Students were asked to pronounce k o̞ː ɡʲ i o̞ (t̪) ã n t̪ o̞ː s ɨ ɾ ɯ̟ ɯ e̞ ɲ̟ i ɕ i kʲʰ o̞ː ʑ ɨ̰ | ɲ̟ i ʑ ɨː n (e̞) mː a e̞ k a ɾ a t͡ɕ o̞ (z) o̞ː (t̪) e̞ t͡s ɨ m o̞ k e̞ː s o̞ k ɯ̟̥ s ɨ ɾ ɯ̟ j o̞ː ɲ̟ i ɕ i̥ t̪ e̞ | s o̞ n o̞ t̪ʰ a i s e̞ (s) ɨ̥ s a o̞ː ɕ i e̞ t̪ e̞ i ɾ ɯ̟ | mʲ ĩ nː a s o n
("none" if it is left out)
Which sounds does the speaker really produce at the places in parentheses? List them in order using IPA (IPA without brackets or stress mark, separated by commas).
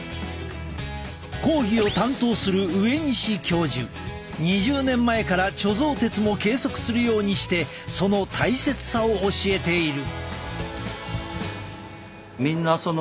t̪, ẽ̞, z, t̪, t͡s